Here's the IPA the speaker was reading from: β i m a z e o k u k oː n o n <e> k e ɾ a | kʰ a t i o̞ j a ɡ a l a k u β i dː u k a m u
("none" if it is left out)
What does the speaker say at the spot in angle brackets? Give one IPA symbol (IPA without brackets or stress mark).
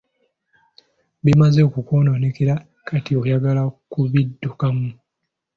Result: e